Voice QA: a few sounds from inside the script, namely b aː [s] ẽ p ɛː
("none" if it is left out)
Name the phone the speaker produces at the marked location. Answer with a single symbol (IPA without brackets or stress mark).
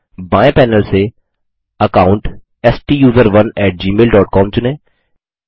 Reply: none